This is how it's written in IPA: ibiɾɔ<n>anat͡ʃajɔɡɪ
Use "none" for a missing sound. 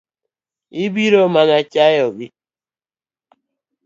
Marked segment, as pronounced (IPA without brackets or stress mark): m